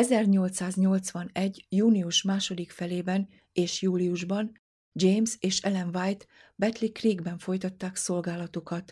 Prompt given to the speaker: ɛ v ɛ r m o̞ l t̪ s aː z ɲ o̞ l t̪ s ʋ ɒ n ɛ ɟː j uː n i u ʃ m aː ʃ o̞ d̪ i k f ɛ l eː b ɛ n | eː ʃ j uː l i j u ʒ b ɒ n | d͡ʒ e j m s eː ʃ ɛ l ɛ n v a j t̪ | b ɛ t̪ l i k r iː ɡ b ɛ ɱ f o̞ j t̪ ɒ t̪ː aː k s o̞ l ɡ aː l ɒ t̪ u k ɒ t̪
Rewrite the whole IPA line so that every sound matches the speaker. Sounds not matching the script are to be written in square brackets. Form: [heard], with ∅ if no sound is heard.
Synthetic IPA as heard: ɛ [z] ɛ r [ɲ] o̞ l t̪ s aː z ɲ o̞ l t̪ s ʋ ɒ n ɛ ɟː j uː n i u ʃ m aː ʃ o̞ d̪ i k f ɛ l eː b ɛ n | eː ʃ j uː l i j u ʒ b ɒ n | d͡ʒ e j m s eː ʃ ɛ l ɛ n v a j t̪ | b ɛ t̪ l i k r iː ɡ b ɛ ɱ f o̞ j t̪ ɒ t̪ː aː k s o̞ l ɡ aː l ɒ t̪ u k ɒ t̪